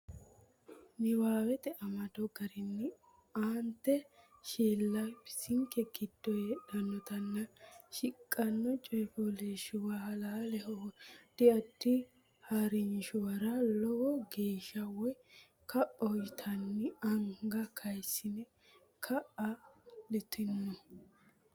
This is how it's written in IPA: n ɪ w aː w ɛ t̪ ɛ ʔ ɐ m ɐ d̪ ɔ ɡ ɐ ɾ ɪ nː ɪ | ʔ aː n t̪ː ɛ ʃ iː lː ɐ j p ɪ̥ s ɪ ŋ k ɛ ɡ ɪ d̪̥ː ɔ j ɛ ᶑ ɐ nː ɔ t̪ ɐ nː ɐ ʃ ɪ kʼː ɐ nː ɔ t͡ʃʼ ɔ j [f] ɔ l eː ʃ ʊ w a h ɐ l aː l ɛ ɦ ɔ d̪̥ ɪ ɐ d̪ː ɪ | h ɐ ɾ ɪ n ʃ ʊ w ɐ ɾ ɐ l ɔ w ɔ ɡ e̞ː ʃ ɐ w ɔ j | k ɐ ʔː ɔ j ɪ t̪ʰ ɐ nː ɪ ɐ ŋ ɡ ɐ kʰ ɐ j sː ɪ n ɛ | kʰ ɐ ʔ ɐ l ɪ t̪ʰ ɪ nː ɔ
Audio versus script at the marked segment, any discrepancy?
no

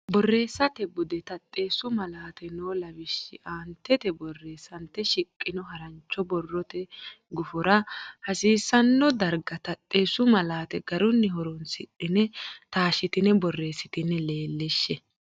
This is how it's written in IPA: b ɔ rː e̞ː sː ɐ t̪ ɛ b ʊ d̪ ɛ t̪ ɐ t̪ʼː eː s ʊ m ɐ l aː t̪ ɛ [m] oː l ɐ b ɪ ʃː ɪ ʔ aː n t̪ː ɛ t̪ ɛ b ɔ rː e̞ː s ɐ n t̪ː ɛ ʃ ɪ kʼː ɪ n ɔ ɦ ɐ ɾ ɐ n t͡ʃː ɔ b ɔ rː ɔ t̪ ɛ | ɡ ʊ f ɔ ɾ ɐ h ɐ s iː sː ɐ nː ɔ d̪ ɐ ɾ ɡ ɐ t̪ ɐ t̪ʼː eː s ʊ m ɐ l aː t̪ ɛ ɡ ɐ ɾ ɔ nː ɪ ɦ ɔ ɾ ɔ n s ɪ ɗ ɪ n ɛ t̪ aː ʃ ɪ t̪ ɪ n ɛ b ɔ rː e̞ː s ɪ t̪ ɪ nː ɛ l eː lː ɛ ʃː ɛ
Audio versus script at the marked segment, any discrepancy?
yes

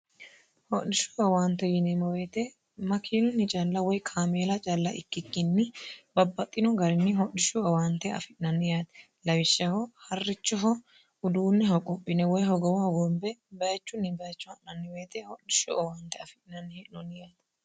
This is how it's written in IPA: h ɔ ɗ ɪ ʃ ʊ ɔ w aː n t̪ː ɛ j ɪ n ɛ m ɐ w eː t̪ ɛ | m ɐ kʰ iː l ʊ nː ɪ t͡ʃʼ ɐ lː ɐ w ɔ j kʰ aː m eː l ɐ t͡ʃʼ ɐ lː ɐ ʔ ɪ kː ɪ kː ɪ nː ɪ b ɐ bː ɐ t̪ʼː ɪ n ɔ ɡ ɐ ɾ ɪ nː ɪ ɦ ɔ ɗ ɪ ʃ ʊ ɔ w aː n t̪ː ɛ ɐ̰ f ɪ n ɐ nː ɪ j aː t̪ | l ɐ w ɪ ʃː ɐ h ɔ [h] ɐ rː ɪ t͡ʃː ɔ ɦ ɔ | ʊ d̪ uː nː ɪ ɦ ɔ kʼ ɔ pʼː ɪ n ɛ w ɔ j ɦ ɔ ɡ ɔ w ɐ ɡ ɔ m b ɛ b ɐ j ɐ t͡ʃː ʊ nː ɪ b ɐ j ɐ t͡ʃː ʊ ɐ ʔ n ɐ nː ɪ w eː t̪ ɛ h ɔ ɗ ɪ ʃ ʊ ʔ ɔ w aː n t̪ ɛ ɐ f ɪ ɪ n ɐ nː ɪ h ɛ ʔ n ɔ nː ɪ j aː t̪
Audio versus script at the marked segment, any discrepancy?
no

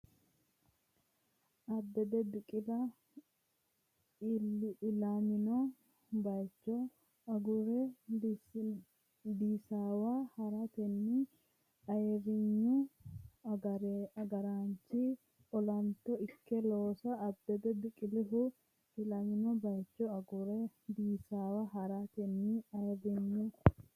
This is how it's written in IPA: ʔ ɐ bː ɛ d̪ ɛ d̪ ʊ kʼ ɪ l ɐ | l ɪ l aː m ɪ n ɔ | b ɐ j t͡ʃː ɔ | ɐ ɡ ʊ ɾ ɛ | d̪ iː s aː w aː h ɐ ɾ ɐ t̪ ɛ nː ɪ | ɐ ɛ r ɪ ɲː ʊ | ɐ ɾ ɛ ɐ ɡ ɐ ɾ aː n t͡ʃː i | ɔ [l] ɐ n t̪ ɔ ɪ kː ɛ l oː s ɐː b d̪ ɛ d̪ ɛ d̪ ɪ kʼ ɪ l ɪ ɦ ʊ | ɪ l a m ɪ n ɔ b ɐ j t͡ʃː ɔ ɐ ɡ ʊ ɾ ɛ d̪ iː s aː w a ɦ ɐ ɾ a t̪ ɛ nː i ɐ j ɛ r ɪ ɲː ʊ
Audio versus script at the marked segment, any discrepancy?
no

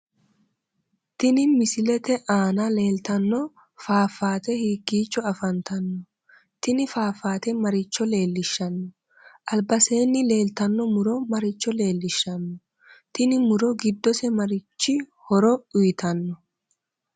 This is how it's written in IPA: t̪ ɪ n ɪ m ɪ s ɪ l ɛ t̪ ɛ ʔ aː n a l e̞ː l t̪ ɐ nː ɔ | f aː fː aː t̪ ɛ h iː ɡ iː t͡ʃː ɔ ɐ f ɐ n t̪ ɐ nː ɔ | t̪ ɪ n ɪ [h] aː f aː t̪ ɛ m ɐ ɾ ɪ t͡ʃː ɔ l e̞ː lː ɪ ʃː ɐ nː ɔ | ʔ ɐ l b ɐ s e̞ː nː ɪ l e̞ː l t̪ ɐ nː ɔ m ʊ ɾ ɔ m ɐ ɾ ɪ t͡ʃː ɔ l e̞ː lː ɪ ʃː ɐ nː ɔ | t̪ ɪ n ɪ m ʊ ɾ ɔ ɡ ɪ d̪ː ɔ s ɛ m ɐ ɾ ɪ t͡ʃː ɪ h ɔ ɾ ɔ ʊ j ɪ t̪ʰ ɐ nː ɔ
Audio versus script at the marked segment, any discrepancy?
yes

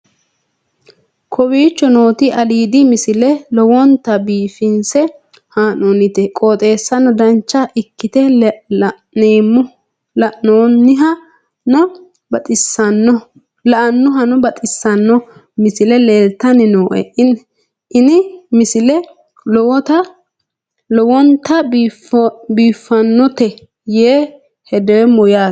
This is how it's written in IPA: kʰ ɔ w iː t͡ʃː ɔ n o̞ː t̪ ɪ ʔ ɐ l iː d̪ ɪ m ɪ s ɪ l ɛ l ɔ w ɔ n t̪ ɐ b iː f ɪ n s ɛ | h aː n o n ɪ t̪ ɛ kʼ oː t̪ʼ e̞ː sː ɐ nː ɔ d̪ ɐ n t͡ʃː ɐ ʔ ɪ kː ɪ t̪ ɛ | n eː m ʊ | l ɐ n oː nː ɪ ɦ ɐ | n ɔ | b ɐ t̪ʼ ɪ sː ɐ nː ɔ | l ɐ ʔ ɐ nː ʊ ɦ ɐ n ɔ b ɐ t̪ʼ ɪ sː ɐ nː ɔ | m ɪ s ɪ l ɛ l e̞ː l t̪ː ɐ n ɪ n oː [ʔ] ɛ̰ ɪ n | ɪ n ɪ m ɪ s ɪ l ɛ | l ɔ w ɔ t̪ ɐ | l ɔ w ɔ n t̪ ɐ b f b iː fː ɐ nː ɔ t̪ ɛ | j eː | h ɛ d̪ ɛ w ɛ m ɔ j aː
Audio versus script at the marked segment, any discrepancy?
no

